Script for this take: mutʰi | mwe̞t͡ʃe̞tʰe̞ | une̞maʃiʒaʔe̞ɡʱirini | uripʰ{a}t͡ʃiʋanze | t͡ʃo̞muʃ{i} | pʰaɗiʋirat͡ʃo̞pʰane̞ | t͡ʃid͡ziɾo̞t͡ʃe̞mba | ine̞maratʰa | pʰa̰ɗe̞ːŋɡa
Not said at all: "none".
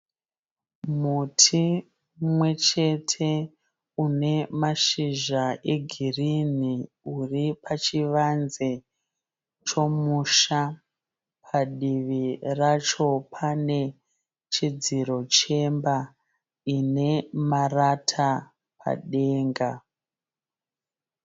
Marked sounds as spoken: a, a

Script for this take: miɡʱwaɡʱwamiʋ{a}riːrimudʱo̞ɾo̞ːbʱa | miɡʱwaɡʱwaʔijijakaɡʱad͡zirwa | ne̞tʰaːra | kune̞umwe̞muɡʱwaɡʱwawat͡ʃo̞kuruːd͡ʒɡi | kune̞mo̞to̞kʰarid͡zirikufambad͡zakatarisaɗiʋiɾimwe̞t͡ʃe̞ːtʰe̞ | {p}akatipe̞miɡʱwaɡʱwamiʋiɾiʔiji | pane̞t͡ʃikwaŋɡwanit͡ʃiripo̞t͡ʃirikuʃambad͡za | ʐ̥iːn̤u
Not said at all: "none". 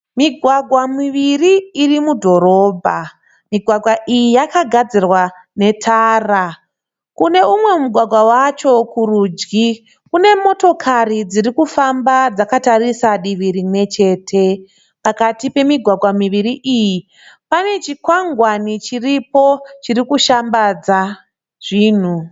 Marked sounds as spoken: i, p

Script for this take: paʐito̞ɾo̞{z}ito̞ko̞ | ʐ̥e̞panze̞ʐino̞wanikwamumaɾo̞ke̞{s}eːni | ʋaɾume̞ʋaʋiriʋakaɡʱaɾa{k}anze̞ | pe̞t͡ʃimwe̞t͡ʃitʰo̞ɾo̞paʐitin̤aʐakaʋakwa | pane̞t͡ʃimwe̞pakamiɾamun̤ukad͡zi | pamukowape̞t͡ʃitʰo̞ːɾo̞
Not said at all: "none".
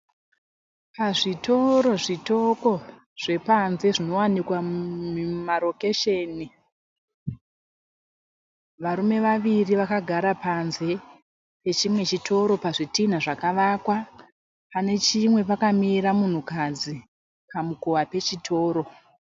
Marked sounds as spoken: ʐ, ʃ, p

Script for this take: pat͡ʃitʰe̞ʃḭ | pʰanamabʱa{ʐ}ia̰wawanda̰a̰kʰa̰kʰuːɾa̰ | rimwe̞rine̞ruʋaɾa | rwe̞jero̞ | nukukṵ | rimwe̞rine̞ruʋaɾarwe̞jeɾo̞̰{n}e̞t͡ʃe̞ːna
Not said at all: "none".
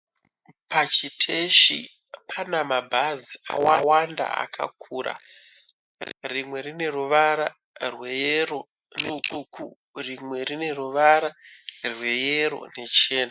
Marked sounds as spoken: z, n

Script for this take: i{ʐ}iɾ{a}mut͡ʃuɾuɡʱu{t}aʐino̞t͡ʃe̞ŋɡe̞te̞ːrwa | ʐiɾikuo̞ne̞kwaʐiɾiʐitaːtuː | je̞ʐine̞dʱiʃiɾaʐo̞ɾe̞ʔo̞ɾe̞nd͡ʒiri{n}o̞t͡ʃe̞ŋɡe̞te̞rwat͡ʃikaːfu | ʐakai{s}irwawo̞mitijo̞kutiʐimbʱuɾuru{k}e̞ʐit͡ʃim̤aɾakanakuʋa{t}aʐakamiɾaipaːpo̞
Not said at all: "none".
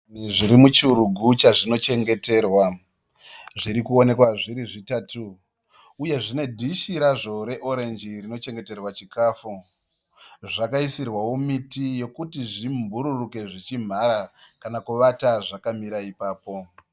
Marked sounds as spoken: ʐ, i, t͡ʃ, n, s, k, t

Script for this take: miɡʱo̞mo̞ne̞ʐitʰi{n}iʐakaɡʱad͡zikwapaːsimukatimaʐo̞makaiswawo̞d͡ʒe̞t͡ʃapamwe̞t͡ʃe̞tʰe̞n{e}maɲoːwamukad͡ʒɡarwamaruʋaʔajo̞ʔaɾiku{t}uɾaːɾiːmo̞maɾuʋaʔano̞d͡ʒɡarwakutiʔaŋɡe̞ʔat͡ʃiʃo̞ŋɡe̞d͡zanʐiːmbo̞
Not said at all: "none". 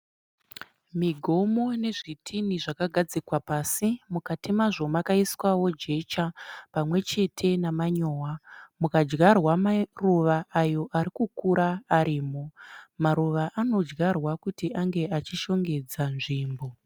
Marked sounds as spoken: n, a, k

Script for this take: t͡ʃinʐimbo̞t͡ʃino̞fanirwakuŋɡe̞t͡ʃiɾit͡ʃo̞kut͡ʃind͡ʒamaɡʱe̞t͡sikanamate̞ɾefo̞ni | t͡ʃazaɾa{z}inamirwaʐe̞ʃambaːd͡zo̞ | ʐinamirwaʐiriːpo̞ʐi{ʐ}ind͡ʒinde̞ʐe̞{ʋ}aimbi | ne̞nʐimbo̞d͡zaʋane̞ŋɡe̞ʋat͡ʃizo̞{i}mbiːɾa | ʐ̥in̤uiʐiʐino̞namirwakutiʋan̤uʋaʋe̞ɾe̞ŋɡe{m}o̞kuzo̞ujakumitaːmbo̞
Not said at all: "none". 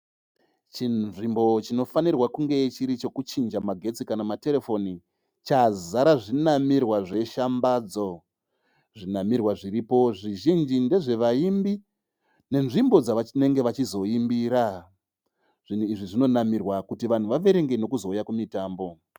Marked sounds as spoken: ʐ, ʒ, ʋ, i, n

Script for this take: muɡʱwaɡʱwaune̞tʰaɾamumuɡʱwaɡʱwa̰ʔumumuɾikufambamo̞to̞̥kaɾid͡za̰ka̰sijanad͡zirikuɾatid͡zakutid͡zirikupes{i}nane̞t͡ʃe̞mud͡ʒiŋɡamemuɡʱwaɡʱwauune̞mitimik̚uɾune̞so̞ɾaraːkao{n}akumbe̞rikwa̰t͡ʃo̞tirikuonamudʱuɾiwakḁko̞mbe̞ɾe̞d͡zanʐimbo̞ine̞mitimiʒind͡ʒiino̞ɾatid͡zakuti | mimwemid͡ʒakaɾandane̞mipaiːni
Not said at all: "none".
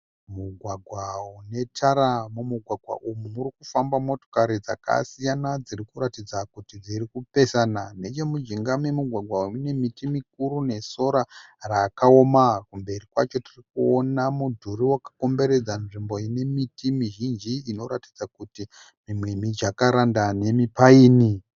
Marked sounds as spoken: a, m

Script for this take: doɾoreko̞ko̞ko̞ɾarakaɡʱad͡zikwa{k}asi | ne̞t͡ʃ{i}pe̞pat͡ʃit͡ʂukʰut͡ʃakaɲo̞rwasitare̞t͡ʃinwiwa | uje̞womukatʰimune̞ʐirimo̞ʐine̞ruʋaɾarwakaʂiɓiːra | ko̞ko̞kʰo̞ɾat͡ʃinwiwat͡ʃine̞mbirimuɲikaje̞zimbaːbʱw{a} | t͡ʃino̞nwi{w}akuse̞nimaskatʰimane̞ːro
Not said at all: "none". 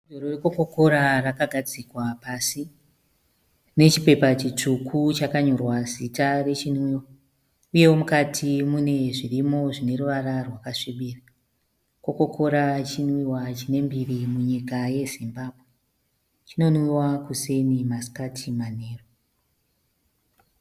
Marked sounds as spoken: p, i, e, w

